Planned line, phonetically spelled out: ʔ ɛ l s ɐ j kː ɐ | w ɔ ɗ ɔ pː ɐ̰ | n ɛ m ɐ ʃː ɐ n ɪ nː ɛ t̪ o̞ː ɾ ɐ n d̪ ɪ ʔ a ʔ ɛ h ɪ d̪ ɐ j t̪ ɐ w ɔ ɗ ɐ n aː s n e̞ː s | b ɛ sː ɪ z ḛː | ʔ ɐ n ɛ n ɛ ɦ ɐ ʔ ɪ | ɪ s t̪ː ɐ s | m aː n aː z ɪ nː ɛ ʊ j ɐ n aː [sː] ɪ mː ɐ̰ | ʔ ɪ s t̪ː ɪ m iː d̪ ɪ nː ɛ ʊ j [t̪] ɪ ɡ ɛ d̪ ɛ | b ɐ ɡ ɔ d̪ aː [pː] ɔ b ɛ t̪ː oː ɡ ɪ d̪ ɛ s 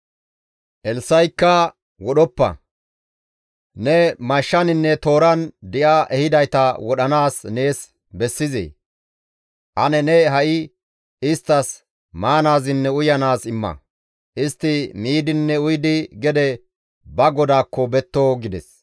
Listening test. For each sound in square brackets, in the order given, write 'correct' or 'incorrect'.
incorrect, incorrect, incorrect

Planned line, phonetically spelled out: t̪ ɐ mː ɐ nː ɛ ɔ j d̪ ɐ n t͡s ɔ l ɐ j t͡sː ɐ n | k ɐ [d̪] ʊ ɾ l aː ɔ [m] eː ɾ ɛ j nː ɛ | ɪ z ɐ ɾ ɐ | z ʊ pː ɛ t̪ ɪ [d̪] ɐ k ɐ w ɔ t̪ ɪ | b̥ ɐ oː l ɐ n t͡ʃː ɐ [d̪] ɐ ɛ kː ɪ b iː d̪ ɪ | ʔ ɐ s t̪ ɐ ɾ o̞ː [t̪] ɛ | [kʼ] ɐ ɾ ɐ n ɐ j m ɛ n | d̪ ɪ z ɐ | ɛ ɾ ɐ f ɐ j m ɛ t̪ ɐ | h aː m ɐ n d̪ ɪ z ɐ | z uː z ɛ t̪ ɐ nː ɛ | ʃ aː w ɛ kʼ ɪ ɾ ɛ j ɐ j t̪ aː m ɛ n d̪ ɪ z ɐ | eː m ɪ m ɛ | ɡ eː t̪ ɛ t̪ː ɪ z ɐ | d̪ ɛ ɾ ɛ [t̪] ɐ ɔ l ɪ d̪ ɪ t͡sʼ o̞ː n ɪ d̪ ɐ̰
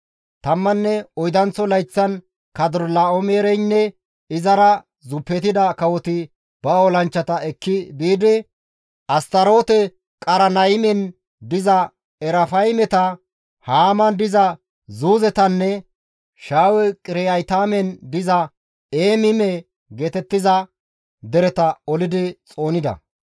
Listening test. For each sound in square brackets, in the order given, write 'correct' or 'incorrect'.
correct, correct, correct, incorrect, correct, correct, correct

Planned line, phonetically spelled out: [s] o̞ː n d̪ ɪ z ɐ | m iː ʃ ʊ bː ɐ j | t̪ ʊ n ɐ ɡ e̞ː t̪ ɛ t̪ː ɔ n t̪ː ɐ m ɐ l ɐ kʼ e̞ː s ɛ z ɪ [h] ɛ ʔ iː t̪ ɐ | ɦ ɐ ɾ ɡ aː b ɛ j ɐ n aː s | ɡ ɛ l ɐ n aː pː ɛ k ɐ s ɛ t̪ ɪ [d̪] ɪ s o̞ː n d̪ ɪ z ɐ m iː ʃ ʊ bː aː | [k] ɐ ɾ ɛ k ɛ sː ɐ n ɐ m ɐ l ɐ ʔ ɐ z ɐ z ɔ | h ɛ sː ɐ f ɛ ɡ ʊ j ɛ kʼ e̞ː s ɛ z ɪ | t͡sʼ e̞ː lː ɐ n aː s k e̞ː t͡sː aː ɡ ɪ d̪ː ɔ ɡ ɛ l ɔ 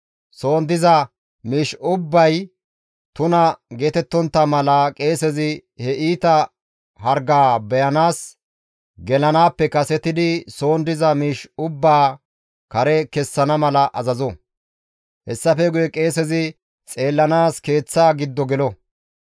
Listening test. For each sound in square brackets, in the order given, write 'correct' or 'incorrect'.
correct, correct, correct, correct

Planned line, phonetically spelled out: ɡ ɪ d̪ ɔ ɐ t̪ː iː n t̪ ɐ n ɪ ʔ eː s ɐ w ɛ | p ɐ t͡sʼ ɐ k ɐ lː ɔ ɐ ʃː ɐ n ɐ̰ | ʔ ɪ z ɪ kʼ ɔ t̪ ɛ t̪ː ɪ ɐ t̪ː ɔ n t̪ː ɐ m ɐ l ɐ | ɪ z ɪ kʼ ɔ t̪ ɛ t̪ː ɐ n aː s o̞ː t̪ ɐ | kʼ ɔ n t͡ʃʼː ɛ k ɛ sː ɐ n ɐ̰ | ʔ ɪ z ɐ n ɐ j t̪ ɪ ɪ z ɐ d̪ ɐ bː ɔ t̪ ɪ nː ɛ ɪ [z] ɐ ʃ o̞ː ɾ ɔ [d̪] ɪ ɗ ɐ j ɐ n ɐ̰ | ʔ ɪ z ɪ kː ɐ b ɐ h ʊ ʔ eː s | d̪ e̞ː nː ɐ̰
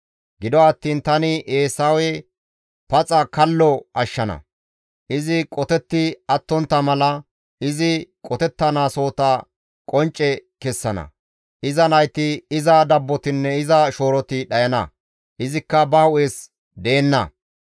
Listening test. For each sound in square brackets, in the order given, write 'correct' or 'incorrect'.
correct, incorrect

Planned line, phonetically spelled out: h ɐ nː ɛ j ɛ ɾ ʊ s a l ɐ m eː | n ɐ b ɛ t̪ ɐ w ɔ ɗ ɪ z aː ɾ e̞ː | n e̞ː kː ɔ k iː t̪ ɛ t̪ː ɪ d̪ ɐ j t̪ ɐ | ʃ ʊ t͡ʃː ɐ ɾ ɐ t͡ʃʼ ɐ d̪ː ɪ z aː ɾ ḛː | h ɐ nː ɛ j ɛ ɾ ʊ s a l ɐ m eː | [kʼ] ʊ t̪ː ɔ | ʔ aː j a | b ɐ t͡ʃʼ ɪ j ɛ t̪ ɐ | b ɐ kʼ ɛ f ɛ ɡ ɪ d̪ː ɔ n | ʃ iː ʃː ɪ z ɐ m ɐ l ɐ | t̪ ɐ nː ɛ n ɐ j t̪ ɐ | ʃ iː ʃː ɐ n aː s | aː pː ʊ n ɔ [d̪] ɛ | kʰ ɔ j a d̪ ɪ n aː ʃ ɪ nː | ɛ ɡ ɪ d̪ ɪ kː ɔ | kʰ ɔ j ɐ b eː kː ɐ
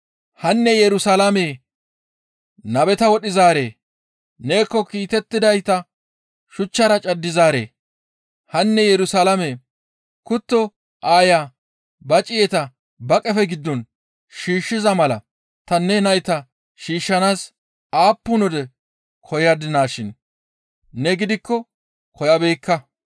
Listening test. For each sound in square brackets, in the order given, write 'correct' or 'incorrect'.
incorrect, correct

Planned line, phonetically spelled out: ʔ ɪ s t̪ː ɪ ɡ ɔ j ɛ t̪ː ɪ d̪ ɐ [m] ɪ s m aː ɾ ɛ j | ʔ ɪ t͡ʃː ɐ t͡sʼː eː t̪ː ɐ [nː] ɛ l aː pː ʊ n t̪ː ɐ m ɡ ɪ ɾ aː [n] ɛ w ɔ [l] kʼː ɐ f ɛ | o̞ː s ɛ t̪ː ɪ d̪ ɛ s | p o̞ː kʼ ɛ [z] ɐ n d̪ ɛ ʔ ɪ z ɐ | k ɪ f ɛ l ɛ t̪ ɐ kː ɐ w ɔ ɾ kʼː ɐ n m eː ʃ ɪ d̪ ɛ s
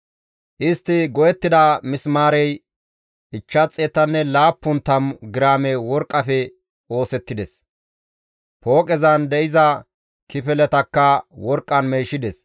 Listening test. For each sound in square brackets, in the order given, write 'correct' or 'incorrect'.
correct, correct, incorrect, incorrect, correct

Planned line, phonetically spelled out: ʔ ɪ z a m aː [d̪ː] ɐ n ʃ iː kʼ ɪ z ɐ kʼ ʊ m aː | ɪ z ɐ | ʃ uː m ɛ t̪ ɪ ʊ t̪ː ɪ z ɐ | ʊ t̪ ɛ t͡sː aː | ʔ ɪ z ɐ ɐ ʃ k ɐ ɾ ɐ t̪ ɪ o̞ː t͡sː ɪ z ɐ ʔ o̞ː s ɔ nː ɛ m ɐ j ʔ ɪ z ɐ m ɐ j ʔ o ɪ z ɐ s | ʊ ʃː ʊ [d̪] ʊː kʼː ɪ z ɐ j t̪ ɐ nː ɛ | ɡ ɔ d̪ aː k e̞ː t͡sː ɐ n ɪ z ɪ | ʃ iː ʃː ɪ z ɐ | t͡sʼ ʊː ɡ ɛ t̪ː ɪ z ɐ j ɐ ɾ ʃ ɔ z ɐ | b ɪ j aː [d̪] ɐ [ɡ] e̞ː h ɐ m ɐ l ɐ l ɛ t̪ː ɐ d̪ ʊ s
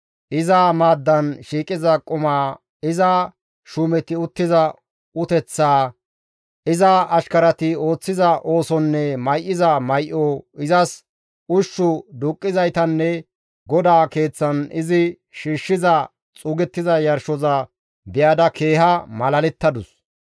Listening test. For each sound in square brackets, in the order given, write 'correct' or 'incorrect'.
correct, correct, correct, incorrect

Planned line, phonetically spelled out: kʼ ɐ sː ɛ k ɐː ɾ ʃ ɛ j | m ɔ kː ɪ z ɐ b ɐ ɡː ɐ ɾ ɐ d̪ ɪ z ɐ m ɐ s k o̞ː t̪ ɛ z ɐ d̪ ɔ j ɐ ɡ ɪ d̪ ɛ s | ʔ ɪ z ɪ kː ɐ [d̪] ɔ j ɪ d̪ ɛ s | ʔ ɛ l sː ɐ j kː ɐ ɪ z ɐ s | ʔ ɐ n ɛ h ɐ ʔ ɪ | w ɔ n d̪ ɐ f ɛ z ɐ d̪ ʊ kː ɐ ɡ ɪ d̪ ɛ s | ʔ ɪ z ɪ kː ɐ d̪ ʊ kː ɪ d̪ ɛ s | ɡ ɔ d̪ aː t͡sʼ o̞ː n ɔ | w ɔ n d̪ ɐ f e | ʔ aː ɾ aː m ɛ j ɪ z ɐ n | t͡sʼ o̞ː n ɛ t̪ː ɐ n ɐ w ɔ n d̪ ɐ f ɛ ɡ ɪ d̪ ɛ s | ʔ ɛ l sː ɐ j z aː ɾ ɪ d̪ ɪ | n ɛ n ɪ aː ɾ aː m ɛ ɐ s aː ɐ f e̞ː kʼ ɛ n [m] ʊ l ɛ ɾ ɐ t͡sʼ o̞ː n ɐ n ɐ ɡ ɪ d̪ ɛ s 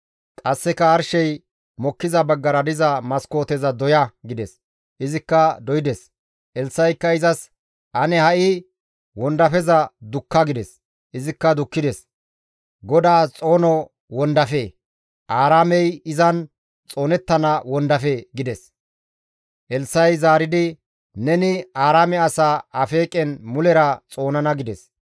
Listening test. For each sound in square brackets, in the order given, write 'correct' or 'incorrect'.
correct, correct

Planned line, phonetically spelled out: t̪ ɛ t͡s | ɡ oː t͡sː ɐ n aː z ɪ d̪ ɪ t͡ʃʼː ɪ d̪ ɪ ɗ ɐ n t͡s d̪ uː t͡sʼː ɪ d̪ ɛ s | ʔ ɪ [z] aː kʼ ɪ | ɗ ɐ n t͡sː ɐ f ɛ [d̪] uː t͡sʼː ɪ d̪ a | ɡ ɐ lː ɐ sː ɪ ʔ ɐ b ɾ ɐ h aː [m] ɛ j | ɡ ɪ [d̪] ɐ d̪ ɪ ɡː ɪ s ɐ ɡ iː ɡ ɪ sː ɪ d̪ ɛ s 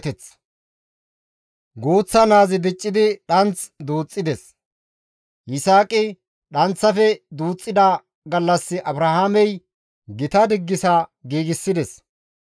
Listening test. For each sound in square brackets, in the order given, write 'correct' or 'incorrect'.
incorrect, correct, correct, incorrect

